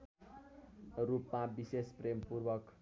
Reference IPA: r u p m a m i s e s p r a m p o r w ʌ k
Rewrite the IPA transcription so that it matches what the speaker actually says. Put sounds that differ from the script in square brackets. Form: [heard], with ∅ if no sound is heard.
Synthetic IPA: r u p m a [b] i s e s p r [e] m p [u] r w ʌ k